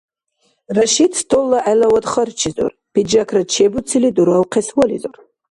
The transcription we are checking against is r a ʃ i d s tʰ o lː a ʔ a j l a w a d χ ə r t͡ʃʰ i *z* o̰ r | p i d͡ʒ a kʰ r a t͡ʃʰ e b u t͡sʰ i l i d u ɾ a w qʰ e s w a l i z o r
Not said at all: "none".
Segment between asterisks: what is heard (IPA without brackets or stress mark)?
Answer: z